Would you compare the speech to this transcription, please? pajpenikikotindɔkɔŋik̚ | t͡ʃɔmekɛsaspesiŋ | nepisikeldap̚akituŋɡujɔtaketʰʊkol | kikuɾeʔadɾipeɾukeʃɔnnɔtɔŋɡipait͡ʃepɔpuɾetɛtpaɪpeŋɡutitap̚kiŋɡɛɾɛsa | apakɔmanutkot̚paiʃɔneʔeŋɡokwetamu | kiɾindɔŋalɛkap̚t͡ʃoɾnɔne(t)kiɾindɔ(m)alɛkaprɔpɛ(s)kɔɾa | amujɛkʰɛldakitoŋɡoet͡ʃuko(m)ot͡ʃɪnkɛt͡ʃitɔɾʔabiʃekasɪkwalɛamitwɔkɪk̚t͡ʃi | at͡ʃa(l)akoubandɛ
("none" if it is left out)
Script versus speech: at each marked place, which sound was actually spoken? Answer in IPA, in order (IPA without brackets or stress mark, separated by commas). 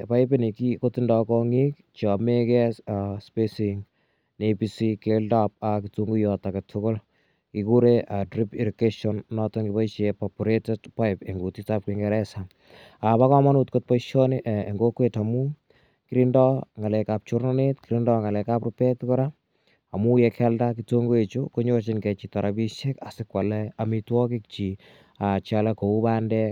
t, ŋ, t, ɲ, l